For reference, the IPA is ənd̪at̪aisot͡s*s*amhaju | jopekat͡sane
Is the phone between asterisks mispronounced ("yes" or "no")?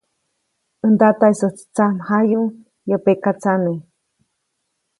yes